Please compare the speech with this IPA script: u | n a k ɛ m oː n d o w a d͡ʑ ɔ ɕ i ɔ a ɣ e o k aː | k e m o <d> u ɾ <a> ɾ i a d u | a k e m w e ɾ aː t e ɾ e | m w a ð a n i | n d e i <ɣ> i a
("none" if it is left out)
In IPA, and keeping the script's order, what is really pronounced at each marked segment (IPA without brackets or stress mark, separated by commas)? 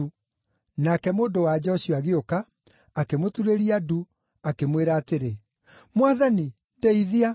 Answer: t, e, ð